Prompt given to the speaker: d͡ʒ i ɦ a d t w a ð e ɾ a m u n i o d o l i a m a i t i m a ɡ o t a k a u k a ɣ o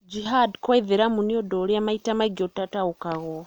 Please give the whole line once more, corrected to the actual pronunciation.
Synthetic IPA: d͡ʒ i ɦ a d k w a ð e ɾ a m u n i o d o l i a m a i t a m a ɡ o t a t a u k a ɣ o